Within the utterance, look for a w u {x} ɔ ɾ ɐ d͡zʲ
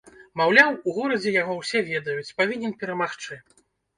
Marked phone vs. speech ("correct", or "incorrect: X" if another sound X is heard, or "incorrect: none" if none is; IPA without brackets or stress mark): incorrect: ɣ